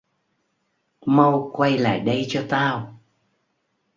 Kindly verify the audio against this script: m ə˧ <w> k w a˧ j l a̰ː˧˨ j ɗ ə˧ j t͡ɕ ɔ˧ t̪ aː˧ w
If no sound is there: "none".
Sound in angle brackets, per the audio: w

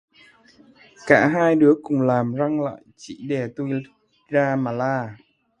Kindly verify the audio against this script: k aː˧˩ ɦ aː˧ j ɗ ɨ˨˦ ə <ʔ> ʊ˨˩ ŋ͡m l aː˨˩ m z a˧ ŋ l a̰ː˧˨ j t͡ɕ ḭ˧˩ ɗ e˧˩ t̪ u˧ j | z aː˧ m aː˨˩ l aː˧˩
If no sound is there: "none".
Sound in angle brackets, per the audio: k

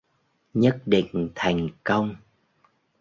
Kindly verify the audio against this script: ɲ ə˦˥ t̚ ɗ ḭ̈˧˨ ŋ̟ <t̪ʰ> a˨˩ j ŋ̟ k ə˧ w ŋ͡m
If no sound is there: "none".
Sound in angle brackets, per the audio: t̪ʰ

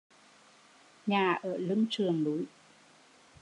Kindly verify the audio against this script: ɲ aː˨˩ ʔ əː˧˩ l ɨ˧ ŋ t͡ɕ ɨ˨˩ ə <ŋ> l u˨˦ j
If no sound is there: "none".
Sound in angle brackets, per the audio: ŋ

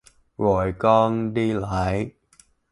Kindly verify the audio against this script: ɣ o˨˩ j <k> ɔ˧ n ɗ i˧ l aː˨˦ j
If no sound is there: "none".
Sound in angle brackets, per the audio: k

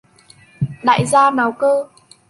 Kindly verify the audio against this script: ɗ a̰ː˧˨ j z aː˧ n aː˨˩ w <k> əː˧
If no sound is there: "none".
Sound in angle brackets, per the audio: k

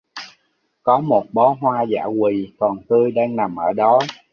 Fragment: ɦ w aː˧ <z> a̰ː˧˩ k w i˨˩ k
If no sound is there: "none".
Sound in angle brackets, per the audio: z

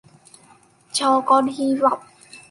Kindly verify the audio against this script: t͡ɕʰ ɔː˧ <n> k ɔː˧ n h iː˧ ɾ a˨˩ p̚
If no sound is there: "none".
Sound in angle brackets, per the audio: none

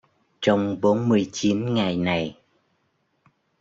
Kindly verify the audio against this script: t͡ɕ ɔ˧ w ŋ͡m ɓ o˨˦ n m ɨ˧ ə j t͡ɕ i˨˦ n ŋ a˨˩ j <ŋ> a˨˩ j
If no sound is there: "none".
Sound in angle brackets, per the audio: n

